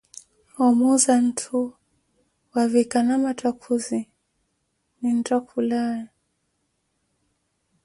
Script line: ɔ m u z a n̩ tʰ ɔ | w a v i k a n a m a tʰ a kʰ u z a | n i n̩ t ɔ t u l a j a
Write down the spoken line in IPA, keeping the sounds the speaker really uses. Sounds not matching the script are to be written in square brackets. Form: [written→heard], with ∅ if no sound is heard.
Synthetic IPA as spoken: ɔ m u z a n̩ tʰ [ɔ→u] | w a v i k a n a m a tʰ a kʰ u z [a→i] | n i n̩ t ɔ [t→k] u l a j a